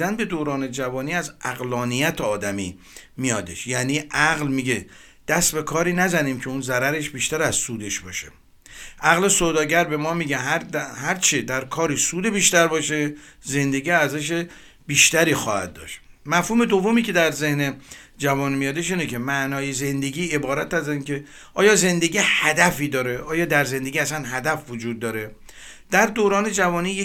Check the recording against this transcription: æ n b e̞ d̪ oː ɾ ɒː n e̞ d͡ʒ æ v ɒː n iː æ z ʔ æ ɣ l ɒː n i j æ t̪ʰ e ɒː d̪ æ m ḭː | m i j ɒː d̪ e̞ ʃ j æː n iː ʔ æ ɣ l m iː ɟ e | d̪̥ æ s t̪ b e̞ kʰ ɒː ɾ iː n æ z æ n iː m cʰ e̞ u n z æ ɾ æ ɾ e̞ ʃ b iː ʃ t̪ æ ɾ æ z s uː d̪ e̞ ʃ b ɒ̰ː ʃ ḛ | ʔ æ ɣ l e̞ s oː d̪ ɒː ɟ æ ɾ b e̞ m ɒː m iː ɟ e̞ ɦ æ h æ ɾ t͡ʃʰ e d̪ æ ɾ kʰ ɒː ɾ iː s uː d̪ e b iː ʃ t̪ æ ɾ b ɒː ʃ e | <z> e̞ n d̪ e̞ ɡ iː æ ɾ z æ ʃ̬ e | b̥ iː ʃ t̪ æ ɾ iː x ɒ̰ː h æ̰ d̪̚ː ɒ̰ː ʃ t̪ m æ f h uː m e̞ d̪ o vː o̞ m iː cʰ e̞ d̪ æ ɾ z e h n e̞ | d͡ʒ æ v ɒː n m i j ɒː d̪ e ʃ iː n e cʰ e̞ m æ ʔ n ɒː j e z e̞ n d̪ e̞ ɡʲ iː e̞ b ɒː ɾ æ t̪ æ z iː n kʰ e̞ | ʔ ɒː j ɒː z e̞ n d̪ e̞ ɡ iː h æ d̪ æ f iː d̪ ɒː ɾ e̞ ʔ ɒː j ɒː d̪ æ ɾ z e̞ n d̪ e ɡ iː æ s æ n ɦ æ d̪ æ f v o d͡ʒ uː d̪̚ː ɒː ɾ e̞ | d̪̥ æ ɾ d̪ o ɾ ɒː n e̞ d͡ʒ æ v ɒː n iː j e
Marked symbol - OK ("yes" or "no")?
yes